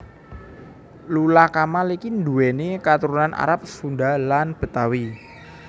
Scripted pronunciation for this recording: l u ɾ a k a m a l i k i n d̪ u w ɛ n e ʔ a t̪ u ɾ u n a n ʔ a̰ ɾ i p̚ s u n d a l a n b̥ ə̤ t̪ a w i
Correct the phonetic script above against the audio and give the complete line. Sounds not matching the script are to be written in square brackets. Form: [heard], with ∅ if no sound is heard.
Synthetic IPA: l u [l] a k a m a l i k i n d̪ u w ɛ n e [k] a t̪ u ɾ u n a n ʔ a̰ ɾ [a] p̚ s u n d a l a n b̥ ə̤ t̪ a w i